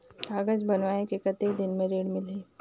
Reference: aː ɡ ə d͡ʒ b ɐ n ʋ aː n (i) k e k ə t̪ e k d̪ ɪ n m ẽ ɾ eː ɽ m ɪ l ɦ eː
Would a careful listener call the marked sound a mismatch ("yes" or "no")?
yes